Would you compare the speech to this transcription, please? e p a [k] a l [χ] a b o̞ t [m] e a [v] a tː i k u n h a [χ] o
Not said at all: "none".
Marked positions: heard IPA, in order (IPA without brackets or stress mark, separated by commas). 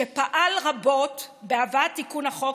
ʔ, ʁ, b, v, χ